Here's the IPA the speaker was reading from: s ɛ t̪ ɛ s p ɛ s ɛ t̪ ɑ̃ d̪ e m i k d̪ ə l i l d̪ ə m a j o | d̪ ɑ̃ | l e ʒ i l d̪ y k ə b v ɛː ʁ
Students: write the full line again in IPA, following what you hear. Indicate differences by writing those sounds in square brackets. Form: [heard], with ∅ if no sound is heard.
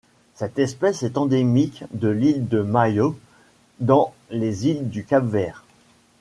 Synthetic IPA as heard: s ɛ t̪ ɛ s p ɛ s ɛ t̪ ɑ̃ d̪ e m i k d̪ ə l i l d̪ ə m a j o | d̪ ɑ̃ | l e [z] i l d̪ y k [a] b v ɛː ʁ